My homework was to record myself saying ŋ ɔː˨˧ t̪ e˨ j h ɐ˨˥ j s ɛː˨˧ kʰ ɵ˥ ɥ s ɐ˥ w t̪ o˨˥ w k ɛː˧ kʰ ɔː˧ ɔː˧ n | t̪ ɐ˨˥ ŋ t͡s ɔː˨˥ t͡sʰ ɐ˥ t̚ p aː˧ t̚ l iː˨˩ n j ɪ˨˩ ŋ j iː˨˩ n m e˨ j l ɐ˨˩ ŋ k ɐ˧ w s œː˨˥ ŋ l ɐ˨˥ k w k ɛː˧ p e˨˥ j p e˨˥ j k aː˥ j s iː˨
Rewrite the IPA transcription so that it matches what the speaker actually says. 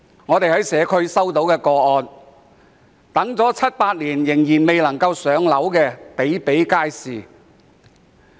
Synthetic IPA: ŋ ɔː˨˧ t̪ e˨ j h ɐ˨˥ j s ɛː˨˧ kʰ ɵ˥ ɥ s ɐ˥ w t̪ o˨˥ w k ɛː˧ k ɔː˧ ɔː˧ n | t̪ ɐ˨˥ ŋ t͡s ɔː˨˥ t͡sʰ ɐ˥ t̚ p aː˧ t̚ l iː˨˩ n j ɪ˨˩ ŋ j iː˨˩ n m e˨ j l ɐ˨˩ ŋ k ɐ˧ w s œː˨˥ ŋ l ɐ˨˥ w k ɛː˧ p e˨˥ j p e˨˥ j k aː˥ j s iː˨